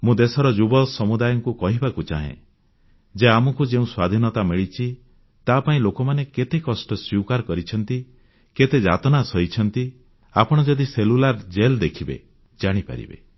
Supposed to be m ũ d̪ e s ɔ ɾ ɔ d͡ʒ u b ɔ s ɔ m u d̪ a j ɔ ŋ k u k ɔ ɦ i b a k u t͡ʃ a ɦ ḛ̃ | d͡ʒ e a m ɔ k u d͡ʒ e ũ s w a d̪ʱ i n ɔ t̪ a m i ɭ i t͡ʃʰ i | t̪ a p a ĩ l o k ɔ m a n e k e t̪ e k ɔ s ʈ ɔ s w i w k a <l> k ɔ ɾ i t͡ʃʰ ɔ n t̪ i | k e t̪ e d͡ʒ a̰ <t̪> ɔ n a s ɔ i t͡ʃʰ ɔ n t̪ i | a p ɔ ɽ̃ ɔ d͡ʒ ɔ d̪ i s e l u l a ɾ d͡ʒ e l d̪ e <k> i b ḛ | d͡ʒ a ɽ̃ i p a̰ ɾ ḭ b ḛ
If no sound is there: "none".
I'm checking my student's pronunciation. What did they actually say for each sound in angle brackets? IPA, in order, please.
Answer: ɾ, t̪, kʰ

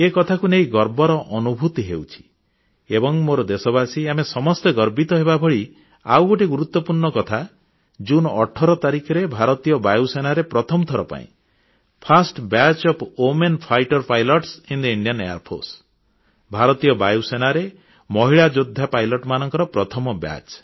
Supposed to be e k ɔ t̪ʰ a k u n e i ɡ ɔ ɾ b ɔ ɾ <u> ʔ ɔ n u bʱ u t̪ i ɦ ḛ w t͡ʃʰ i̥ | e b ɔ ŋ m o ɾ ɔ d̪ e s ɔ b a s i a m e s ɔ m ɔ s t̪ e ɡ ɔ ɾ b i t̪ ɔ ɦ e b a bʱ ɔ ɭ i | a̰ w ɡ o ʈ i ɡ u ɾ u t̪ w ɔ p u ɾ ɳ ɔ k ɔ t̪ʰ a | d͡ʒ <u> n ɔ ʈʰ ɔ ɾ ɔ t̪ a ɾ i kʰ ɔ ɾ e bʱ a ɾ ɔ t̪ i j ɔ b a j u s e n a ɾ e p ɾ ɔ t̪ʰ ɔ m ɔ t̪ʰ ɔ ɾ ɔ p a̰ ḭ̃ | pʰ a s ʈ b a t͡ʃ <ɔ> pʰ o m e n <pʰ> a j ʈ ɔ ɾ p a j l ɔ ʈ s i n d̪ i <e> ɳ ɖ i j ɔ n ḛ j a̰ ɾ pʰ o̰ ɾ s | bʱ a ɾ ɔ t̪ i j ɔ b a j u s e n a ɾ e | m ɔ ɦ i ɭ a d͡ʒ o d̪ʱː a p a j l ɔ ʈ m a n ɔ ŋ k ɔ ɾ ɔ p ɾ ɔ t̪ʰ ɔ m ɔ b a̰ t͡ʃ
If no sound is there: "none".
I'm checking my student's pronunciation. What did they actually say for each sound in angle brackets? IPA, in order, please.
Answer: ɔ, u, ɔ, pʰ, i

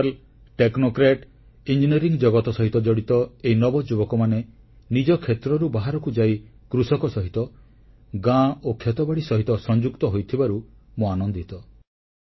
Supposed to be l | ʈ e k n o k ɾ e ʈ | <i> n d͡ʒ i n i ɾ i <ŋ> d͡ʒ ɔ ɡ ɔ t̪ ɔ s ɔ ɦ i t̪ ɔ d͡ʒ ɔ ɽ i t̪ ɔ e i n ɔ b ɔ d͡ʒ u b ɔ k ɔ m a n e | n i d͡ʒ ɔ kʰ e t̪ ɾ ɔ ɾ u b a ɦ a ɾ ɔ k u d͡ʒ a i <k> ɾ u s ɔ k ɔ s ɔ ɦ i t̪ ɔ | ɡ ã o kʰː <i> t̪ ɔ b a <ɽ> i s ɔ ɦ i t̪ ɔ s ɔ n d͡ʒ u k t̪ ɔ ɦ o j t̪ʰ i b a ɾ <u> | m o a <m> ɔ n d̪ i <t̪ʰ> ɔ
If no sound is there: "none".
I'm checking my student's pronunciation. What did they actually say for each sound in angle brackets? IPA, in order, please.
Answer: i, ŋ, k, e, ɽ, u, n, t̪

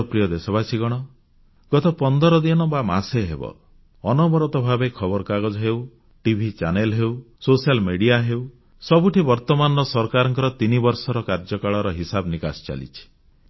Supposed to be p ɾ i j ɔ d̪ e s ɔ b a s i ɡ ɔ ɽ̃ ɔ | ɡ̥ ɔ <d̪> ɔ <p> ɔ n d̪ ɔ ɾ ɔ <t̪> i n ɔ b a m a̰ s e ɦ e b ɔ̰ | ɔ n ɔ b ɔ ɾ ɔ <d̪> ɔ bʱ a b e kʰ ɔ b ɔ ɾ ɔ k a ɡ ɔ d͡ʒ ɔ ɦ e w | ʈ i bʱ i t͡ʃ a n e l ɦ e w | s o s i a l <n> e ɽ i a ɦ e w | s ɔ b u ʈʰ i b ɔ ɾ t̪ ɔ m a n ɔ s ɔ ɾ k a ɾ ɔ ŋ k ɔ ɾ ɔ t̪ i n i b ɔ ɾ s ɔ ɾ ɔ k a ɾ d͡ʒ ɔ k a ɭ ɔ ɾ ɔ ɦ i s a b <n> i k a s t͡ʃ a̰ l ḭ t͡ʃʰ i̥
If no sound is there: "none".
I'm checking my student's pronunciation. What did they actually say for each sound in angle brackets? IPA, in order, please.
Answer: t̪, p, d̪, t̪, m, n

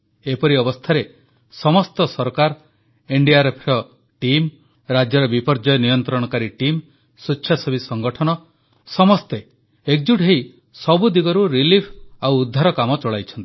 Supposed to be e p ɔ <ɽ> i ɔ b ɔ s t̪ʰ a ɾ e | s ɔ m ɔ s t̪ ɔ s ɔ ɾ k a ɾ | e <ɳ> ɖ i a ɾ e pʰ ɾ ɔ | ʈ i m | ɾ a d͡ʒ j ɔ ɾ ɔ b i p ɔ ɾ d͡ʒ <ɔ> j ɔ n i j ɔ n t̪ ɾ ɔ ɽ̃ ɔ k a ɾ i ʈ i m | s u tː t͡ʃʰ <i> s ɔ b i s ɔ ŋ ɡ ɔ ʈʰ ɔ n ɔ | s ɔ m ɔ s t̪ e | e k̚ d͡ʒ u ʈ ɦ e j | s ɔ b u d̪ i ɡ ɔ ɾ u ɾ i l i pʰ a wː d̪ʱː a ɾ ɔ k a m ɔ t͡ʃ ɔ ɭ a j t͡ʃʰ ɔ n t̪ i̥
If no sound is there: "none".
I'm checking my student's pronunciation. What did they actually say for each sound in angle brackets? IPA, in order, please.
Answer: ɾ, ɳ, ɔ, a

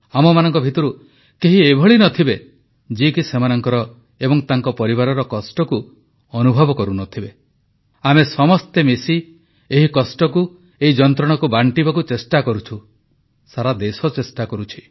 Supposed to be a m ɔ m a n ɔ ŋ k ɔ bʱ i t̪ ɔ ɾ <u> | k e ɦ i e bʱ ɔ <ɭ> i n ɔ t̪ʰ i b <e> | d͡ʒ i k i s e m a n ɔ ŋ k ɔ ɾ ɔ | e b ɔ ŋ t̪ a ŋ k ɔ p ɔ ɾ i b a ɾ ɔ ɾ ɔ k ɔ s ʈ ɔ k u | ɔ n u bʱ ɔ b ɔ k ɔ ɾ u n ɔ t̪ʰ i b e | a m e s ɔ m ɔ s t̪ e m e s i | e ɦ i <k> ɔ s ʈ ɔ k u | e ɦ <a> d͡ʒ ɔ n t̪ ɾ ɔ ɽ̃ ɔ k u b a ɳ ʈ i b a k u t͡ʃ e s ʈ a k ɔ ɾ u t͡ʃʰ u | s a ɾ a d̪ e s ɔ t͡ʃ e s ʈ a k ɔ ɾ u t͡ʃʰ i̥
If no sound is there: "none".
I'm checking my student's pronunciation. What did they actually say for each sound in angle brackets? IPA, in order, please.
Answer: u, ɭ, e, k, i

